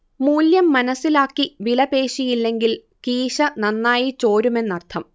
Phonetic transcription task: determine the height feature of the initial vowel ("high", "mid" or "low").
high